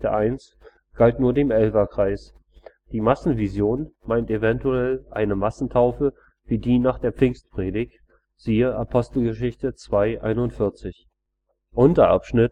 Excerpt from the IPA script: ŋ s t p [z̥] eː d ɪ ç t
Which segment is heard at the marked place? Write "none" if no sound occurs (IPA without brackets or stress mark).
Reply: ʁ̥